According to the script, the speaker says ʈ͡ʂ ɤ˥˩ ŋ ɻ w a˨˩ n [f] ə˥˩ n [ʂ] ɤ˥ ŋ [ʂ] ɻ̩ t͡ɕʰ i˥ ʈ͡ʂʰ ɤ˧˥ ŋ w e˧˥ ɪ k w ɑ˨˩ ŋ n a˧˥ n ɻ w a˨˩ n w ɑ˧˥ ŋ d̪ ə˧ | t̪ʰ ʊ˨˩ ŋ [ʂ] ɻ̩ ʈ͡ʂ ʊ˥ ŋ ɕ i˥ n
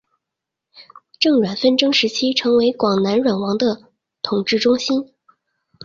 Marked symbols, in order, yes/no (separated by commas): yes, no, yes, no